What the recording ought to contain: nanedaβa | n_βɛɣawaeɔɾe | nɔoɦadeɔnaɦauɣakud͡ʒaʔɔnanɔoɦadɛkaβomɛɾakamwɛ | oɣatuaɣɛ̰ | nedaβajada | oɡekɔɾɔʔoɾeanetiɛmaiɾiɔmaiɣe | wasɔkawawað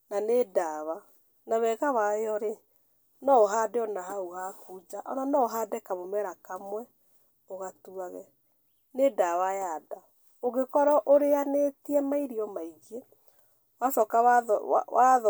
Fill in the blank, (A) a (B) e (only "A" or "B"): A